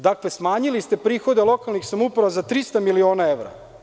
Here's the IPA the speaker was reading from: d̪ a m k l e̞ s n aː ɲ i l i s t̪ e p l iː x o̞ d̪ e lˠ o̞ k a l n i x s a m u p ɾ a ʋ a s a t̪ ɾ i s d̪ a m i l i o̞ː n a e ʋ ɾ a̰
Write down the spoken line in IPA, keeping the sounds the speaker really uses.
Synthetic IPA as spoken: d̪ a k l e̞ s m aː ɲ i l i s t̪ e p ɾ iː x o̞ d̪ e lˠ o̞ k a l n i x s a m u p ɾ a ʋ a z a t̪ ɾ i s t̪ a m i l i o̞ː n a e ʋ ɾ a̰